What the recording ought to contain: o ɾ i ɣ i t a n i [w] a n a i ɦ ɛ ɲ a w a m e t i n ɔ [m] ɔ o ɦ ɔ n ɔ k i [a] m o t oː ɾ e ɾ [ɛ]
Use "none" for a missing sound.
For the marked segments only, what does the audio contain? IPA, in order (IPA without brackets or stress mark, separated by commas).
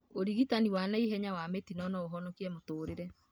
w, n, ɛ, ɛ